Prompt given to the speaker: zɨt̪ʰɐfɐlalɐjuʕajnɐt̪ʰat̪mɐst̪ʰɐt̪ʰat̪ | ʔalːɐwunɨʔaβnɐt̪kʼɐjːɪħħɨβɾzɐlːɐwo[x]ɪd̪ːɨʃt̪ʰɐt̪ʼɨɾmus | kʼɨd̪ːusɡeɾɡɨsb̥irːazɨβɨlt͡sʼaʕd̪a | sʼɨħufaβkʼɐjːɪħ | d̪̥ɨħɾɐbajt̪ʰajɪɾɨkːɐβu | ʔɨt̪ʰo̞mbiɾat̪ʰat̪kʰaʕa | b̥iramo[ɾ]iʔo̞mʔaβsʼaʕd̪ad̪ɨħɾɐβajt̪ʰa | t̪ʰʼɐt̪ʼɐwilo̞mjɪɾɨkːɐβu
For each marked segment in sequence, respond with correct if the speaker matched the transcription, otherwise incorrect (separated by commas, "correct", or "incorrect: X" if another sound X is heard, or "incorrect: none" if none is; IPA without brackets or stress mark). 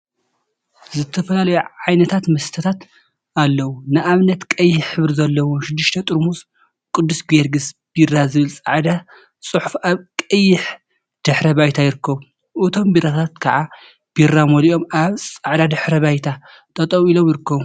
incorrect: ʃ, incorrect: l